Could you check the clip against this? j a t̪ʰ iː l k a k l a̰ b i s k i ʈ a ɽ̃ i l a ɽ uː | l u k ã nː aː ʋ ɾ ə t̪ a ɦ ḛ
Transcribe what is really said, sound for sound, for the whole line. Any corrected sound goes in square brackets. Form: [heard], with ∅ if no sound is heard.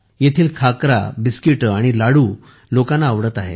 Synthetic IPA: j [e] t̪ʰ iː l [kʰ] a k [ɾ] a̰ b i s k i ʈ a ɽ̃ i l a ɽ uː | l [o] k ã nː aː ʋ [ɽ] ə t̪ a ɦ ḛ